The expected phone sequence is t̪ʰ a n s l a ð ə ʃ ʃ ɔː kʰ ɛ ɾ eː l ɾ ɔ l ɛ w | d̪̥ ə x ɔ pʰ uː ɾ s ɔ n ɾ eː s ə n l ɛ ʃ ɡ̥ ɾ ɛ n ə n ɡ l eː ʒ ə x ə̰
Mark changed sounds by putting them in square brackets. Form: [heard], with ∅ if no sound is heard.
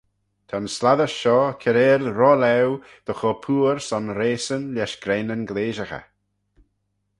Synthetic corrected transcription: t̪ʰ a n s l a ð ə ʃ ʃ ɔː kʰ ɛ ɾ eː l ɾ ɔ l ɛ w | d̪̥ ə x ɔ pʰ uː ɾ s ɔ n ɾ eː s ə n l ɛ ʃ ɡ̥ ɾ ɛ n ə n ɡ l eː ʒ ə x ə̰

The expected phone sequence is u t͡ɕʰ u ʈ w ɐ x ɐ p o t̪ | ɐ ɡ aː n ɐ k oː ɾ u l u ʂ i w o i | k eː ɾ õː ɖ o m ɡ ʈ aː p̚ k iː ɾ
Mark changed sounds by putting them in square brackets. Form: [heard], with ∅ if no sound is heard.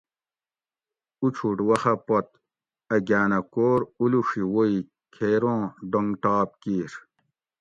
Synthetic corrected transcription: u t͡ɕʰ u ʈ w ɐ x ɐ p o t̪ | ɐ ɡ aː n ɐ k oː ɾ u l u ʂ i w o i | [kʰ] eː ɾ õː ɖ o [ŋ] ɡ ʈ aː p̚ k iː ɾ

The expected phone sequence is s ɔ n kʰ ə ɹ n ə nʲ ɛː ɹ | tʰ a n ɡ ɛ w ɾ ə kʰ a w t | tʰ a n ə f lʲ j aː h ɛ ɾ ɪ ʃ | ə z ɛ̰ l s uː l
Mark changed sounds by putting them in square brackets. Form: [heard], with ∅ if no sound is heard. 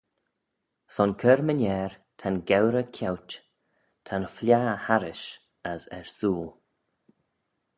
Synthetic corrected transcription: s ɔ n kʰ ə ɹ [m] ə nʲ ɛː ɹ | tʰ a n ɡ ɛ w ɾ ə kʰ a w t | tʰ a n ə f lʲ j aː h [a] ɾ ɪ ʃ | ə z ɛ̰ [ɹ] s uː l

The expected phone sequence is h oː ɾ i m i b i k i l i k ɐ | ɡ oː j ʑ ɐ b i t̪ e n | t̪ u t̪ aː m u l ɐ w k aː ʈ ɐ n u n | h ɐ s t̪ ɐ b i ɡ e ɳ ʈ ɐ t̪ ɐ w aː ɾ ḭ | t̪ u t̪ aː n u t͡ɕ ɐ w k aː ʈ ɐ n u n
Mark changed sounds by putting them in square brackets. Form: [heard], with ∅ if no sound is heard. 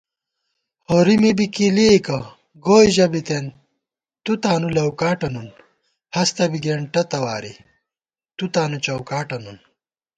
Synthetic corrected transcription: h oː ɾ i m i b i k i l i k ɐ | ɡ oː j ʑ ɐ b i t̪ e n | t̪ u t̪ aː [n] u l ɐ w k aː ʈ ɐ n u n | h ɐ s t̪ ɐ b i ɡ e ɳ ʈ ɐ t̪ ɐ w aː ɾ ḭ | t̪ u t̪ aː n u t͡ɕ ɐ w k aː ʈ ɐ n u n

